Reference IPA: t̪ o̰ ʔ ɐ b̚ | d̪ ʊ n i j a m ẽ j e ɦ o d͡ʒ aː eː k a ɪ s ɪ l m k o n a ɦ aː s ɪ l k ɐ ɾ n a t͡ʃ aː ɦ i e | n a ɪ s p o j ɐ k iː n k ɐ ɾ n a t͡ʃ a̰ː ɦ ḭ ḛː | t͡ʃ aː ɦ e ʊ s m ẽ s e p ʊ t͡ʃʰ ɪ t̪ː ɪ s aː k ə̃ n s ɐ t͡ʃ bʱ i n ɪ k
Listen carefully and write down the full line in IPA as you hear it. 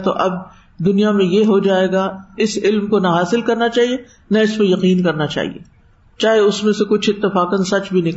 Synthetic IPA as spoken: t̪ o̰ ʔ ɐ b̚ | d̪ ʊ n i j a m ẽ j e ɦ o d͡ʒ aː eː ɡ a ɪ s ɪ l m k o n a ɦ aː s ɪ l k ɐ ɾ n a t͡ʃ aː ɦ i e | n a ɪ s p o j ɐ q iː n k ɐ ɾ n a t͡ʃ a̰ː ɦ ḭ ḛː | t͡ʃ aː ɦ e ʊ s m ẽ s e k ʊ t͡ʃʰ ɪ t̪ː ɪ f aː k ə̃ n s ɐ t͡ʃ bʱ i n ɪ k